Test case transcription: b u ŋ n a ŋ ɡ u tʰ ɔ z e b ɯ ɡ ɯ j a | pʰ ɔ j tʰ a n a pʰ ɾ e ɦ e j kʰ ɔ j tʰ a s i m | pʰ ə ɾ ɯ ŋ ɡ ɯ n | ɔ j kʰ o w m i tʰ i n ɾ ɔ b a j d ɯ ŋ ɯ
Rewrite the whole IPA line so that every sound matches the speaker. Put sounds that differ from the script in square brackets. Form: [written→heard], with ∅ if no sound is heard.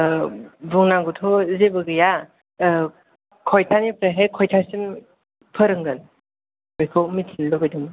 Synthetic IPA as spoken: b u ŋ n a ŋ ɡ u tʰ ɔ z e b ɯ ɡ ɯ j a | [pʰ→kʰ] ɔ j tʰ a n [a→i] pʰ ɾ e ɦ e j kʰ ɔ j tʰ a s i m | pʰ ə ɾ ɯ ŋ ɡ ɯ n | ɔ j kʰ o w m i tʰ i n [ɾ→l] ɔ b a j d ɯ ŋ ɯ

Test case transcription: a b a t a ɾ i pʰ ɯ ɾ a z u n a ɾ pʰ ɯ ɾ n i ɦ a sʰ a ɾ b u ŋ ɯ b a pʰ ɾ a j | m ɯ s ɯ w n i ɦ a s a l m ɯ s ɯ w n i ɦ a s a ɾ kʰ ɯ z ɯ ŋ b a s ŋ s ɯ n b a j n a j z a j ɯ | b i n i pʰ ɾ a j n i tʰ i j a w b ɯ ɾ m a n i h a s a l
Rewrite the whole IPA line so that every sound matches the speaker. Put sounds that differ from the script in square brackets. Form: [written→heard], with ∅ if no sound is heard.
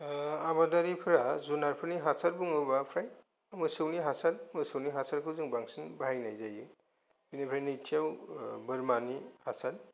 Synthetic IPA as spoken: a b a [t→d] a ɾ i pʰ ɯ ɾ a z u n a ɾ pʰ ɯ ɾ n i ɦ a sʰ a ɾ b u ŋ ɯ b a pʰ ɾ a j | m ɯ s ɯ w n i ɦ a s a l m ɯ s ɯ w n i ɦ a s a ɾ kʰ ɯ z ɯ ŋ b a [s→∅] ŋ s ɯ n b a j n a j z a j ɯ | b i n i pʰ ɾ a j n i tʰ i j a w b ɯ ɾ m a n i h a s a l

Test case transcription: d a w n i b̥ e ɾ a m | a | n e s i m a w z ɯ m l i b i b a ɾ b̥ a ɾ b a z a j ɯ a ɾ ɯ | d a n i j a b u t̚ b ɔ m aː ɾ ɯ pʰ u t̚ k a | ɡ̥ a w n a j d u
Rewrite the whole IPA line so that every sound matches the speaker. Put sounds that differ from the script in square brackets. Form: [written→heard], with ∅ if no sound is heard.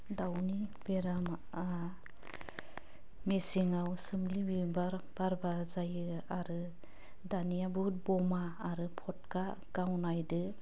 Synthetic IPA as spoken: d a w n i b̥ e ɾ a m | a | [n→m] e s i [m→ŋ] a w [z→s] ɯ m l i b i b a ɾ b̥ a ɾ b a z a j ɯ a ɾ ɯ | d a n i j a b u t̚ b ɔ m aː ɾ ɯ pʰ [u→ɔ] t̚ k a | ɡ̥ a w n a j d [u→ɯ]

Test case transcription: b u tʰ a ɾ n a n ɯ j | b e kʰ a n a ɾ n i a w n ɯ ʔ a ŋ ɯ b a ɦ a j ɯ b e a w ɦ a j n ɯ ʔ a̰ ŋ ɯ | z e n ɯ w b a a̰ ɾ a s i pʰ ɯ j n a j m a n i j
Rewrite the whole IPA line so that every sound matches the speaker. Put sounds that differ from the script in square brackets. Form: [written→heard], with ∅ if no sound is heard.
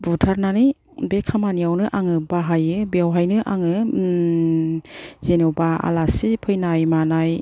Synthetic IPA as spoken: b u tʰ a ɾ n a n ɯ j | b e kʰ a [n→m] a [ɾ→∅] n i a w n ɯ ʔ a ŋ ɯ b a ɦ a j ɯ b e a w ɦ a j n ɯ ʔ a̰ ŋ ɯ | z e n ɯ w b a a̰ [ɾ→l] a s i pʰ ɯ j n a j m a n [i→a] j

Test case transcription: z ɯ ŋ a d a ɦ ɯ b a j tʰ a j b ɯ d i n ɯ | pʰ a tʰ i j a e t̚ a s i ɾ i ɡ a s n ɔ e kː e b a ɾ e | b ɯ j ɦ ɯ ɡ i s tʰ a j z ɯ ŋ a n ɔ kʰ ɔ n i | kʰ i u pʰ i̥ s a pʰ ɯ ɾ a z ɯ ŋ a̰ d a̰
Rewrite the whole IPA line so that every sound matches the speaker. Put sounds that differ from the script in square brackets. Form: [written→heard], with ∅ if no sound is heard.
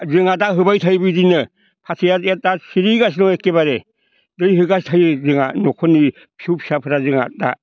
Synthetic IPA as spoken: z ɯ ŋ a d a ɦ ɯ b a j tʰ a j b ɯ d i n ɯ | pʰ a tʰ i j a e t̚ a s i ɾ i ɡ a s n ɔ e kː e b a ɾ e | [b→d] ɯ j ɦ ɯ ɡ [i→a] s tʰ a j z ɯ ŋ a n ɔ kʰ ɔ n i | [kʰ→pʰ] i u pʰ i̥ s a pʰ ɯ ɾ a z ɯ ŋ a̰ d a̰

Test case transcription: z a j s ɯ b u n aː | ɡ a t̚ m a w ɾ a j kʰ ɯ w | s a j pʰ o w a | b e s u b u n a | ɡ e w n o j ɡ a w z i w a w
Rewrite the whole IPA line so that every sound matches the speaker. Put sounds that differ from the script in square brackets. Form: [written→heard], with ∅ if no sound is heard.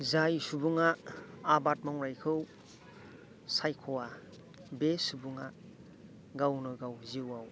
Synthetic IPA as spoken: z a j s [ɯ→u] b u [n→ŋ] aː | [ɡ→b] a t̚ m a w ɾ a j kʰ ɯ w | s a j [pʰ→kʰ] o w a | b e s u b u [n→ŋ] a | ɡ [e→a] w n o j ɡ a w z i w a w

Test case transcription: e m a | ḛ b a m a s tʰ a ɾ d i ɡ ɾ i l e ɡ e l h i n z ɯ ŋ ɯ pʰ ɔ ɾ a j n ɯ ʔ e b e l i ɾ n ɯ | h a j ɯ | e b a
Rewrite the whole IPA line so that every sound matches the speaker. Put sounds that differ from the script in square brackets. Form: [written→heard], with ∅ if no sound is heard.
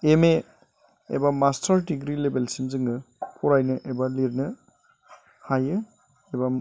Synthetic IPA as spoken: e m [a→e] | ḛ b a m a s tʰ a ɾ d i ɡ ɾ i l e [ɡ→b] e l [h→s] i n z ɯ ŋ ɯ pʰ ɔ ɾ a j n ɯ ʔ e b [e→a] l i ɾ n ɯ | h a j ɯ | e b a

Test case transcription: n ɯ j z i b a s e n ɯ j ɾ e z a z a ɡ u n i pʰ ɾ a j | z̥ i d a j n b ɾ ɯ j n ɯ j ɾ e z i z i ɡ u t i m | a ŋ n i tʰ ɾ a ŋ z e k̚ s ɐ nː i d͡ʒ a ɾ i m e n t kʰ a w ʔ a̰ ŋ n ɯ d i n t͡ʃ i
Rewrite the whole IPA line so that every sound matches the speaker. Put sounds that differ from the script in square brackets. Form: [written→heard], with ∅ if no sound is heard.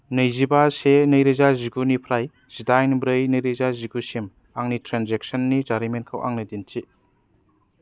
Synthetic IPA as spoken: n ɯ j z i b a s e n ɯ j ɾ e z a z [a→i] ɡ u n i pʰ ɾ a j | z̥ i d a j n b ɾ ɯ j n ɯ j ɾ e z [i→a] z i ɡ u [t→s] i m | a ŋ n i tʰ ɾ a [ŋ→n] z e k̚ s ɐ nː i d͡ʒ a ɾ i m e n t kʰ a w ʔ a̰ ŋ n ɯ d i n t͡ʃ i

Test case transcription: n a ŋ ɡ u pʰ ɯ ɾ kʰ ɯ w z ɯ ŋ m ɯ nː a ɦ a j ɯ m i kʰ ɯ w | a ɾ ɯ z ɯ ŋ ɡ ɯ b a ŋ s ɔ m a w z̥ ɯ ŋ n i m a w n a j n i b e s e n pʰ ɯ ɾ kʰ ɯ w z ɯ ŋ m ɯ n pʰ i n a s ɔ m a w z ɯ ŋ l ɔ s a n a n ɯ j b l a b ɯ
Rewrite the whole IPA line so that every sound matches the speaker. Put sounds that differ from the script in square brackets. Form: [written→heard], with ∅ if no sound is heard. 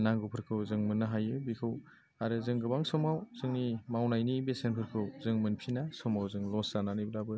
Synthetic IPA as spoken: n a ŋ ɡ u pʰ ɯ ɾ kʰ ɯ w z ɯ ŋ m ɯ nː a ɦ a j ɯ [m→b] i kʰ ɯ w | a ɾ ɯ z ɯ ŋ ɡ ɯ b a ŋ s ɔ m a w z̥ ɯ ŋ n i m a w n a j n i b e s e n pʰ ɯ ɾ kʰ ɯ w z ɯ ŋ m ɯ n pʰ i n a s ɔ m a w z ɯ ŋ l ɔ s a n a n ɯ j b l a b ɯ

